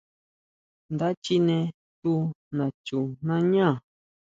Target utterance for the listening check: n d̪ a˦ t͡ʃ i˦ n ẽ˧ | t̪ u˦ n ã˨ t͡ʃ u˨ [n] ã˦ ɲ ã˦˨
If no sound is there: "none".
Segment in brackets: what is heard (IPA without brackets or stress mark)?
n